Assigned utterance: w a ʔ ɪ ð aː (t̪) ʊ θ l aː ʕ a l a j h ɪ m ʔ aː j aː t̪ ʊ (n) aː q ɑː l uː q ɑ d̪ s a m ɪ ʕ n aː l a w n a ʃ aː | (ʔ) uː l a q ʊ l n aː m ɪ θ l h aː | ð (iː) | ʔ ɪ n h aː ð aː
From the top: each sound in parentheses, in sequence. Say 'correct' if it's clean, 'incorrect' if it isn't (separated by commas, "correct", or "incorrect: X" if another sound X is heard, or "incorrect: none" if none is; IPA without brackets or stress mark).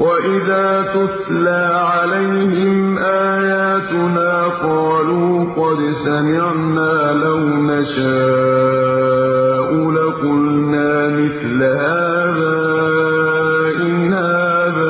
correct, correct, correct, incorrect: aː